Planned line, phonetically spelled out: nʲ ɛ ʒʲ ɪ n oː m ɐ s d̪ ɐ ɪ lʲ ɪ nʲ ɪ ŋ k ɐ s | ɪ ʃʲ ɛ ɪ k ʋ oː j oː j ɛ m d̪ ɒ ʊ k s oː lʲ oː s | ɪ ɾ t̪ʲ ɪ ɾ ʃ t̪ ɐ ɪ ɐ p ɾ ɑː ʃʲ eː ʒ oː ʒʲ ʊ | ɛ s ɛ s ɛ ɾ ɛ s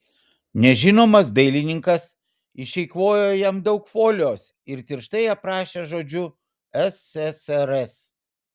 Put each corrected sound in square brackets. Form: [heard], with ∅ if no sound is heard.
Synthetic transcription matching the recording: nʲ ɛ ʒʲ ɪ n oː m ɐ s d̪ ɐ ɪ lʲ ɪ nʲ ɪ ŋ k ɐ s | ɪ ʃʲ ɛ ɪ k ʋ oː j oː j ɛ m d̪ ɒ ʊ k [f] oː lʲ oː s | ɪ ɾ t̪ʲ ɪ ɾ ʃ t̪ ɐ ɪ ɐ p ɾ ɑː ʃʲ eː ʒ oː [d͡ʒʲ] ʊ | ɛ s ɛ s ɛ ɾ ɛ s